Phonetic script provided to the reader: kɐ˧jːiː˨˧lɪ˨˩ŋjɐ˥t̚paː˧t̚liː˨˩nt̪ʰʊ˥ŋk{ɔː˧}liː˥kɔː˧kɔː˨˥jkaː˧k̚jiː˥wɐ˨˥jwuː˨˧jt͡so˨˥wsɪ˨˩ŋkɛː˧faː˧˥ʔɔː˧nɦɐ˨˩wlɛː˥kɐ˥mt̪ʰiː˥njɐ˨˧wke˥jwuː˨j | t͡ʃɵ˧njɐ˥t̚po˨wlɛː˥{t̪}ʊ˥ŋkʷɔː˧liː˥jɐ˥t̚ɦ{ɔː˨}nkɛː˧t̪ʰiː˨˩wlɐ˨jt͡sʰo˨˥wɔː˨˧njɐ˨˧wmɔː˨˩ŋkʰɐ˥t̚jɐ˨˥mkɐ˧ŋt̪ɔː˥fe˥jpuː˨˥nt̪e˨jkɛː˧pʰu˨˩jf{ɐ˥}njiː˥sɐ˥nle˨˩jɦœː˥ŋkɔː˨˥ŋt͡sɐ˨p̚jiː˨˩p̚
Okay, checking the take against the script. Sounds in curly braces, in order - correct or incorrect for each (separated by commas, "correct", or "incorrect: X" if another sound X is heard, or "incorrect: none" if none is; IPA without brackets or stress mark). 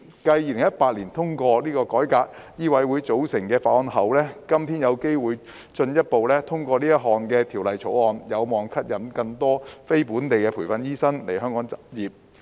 correct, incorrect: t̪ʰ, correct, incorrect: ɐ˧